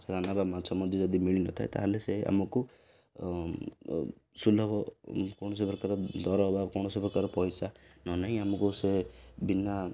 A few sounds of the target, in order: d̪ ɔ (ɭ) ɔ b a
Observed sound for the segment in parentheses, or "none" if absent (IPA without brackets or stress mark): ɾ